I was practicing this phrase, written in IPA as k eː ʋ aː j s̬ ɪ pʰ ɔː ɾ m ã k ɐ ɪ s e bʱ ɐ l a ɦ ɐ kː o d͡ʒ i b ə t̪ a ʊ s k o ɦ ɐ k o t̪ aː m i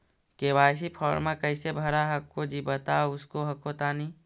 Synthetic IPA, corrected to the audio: k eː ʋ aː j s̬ i pʰ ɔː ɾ m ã k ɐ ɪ s e bʱ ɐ ɾ a ɦ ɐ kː o d͡ʒ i b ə t̪ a ʊ s k o ɦ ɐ k o t̪ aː n i